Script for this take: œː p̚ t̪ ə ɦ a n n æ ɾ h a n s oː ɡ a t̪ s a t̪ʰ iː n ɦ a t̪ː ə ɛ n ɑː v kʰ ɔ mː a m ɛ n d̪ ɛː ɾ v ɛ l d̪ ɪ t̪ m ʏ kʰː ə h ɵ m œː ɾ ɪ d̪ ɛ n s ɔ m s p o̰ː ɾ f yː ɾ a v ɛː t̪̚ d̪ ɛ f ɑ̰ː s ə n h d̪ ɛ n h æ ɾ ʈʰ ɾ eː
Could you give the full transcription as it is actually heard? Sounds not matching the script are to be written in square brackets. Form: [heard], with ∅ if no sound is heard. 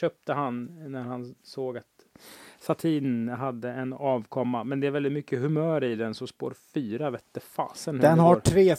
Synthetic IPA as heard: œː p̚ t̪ ə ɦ a n n æ ɾ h a n s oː ɡ a t̪ s a t̪ʰ iː n ɦ a [d̪ː] ə ɛ n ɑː v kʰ ɔ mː a m ɛ n d̪ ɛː ɾ v ɛ l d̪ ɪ t̪ m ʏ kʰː ə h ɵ m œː ɾ ɪ d̪ ɛ n s ɔ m s p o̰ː ɾ f yː ɾ a v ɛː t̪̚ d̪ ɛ f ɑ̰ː s ə n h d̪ ɛ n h [a] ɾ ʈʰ ɾ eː